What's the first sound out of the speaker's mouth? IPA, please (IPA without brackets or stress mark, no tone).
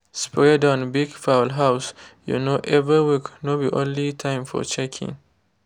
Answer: s